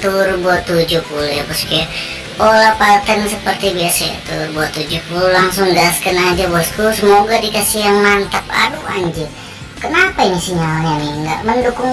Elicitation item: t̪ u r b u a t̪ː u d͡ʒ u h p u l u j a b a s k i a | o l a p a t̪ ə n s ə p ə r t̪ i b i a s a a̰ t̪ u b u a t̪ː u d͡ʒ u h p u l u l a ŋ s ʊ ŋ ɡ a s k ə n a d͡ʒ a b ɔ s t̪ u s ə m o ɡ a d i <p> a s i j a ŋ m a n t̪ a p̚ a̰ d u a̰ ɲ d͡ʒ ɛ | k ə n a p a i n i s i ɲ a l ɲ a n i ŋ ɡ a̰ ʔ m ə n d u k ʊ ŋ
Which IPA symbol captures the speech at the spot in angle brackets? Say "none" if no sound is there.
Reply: k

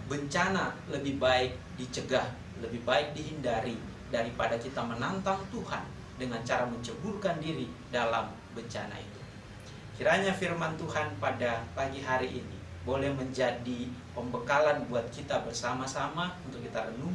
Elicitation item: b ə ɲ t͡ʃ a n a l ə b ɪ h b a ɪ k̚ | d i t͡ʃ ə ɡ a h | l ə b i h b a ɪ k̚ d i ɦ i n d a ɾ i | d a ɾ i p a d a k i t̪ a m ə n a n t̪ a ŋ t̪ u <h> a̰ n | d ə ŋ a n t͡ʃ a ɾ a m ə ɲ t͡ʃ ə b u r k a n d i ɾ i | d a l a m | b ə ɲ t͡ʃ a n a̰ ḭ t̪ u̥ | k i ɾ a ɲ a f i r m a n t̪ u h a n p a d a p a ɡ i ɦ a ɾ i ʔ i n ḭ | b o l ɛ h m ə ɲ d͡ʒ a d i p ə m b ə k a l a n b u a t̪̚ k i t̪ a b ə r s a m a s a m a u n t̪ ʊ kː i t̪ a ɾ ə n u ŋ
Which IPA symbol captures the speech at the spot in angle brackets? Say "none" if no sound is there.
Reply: h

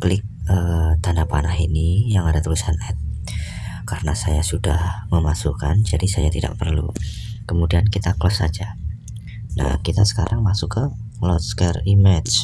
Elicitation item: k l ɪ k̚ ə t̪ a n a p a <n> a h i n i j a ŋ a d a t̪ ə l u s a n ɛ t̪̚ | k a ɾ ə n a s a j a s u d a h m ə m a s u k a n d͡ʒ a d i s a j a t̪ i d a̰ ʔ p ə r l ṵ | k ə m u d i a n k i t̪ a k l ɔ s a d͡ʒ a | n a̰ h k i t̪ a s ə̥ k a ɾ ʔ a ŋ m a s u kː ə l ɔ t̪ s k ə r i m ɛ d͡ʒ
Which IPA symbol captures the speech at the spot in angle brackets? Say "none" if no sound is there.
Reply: n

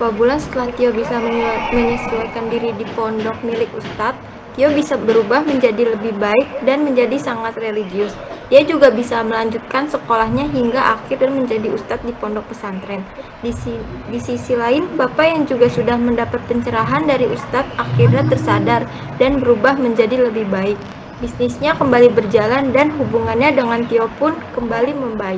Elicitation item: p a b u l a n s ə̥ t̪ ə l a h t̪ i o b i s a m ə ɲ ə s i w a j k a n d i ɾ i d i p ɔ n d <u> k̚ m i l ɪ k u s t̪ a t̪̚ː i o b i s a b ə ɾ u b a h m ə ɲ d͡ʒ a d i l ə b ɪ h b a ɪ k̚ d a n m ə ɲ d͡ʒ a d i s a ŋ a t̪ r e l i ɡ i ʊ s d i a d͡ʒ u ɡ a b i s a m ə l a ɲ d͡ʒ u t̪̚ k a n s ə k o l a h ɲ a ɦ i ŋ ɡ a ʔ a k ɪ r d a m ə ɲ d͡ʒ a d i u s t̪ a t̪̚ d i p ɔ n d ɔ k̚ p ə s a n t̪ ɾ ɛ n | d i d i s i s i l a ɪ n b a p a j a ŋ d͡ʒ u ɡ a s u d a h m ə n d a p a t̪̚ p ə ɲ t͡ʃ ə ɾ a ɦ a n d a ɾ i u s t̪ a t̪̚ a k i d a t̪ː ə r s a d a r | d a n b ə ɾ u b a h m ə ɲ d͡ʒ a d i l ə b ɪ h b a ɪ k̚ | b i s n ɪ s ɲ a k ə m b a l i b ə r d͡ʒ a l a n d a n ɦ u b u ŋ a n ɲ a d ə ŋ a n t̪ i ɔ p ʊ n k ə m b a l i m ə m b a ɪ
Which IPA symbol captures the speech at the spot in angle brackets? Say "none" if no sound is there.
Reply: ɔ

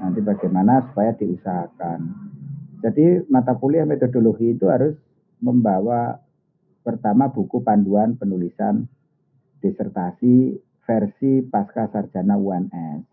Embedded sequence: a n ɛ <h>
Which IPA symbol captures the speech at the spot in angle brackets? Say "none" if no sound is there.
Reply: s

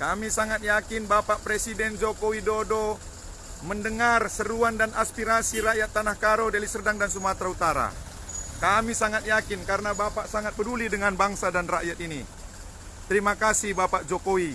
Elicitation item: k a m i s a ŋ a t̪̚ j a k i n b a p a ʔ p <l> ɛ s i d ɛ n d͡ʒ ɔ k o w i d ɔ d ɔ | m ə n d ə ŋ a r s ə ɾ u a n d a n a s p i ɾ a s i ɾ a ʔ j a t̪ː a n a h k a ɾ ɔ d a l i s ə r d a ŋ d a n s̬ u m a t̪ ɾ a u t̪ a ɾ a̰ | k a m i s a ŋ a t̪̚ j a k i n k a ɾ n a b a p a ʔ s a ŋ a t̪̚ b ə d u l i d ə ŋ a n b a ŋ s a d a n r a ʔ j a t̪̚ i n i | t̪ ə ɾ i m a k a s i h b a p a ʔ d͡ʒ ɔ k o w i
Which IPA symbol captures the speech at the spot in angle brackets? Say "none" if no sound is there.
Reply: ɾ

